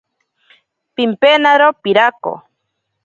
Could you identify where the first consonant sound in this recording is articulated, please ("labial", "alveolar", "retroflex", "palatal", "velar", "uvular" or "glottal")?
labial